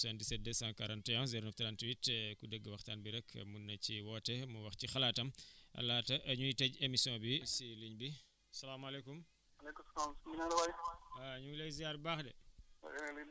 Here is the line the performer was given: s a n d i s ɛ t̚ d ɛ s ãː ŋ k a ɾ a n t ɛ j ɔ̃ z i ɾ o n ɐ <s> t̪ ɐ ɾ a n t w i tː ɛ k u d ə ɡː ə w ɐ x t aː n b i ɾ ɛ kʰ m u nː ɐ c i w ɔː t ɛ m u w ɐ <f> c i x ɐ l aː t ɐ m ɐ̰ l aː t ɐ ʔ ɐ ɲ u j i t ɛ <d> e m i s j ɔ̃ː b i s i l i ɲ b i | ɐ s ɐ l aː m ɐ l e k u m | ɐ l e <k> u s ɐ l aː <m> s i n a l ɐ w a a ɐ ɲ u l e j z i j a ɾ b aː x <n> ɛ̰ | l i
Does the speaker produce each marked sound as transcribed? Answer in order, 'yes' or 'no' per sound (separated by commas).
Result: no, no, no, yes, yes, no